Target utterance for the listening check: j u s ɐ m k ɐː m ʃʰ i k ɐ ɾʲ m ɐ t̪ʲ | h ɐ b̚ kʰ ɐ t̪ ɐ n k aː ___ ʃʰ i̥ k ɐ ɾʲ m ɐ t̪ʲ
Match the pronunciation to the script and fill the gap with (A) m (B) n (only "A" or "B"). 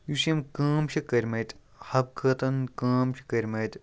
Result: A